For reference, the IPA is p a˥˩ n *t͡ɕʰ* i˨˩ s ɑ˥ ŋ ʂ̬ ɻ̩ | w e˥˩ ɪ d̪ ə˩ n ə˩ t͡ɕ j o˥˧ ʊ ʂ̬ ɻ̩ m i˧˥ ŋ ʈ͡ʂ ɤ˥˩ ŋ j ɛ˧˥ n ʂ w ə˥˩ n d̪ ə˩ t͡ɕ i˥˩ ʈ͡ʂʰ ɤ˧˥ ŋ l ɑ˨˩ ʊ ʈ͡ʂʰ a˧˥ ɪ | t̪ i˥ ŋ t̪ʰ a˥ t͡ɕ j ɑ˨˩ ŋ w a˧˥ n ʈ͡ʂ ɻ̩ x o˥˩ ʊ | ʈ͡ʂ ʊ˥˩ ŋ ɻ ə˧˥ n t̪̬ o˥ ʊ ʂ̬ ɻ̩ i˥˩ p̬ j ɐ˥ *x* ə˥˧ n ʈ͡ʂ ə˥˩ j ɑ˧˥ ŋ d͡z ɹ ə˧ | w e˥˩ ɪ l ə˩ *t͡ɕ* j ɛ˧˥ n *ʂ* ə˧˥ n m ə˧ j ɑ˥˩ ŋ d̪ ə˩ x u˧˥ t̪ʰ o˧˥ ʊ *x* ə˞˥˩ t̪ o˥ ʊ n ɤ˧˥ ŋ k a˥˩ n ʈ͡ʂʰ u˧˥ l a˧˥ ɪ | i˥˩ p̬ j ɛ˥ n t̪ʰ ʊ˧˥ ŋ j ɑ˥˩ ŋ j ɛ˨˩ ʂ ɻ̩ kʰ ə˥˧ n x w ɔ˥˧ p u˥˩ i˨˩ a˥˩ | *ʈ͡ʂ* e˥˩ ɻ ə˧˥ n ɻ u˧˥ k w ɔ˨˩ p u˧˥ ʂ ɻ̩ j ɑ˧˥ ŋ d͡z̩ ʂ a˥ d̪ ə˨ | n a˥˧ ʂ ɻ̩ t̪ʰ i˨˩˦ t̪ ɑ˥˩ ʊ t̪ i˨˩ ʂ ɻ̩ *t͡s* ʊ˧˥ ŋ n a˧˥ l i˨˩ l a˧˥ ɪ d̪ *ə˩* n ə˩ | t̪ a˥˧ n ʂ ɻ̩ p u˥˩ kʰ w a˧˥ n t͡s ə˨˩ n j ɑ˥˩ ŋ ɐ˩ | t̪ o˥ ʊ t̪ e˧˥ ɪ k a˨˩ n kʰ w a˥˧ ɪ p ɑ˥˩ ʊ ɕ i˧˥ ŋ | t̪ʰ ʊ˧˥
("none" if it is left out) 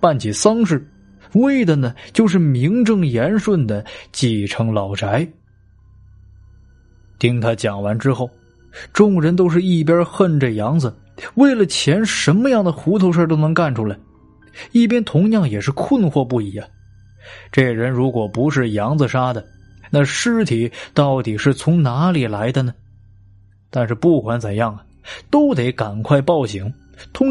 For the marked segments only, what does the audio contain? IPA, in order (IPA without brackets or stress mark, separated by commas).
t͡ɕʰ, x, t͡ɕʰ, ʂ, ʂ, ʈ͡ʂ, t͡sʰ, ə˧